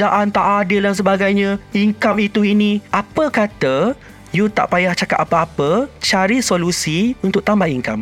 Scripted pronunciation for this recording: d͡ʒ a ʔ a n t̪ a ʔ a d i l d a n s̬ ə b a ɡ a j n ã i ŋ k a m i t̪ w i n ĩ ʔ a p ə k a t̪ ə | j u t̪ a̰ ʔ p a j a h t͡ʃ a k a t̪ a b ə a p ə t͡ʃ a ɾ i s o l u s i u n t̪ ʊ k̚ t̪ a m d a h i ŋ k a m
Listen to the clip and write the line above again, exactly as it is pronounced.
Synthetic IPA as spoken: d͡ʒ a ʔ a n t̪ a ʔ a d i l d a n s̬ ə b a ɡ a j ɲ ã i ŋ k a m i t̪ u i n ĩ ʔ a p ə k a t̪ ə | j u t̪ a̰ ʔ p a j a h t͡ʃ a k a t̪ a p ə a p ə t͡ʃ a ɾ i s o l u s i u n t̪ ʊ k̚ t̪ a m b a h i ŋ k a m